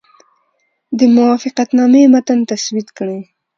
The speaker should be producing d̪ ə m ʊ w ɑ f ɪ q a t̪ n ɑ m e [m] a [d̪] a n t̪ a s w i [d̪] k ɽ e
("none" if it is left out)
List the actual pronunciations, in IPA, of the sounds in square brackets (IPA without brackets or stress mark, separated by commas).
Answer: m, t̪, t̪